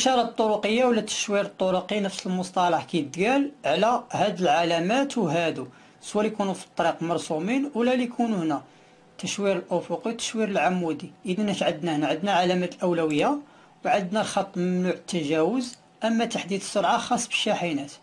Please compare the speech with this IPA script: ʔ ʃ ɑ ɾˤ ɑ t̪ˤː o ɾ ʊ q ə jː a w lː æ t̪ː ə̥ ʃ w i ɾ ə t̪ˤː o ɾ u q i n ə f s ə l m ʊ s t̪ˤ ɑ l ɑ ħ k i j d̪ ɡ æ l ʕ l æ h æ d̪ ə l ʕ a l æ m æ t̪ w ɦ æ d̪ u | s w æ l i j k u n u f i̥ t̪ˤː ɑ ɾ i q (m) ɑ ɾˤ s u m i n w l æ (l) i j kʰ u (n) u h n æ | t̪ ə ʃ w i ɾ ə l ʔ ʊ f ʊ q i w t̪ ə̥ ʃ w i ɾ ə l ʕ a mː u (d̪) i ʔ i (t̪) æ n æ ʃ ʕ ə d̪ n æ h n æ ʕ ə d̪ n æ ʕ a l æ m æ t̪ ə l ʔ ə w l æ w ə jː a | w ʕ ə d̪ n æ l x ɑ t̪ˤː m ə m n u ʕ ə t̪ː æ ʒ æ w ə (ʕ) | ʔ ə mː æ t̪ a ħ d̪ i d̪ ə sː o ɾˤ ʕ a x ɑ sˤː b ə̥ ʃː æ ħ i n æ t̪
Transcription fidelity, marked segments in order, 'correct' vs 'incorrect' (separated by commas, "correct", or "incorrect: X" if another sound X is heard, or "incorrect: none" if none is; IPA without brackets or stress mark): correct, correct, correct, correct, incorrect: d̪, incorrect: z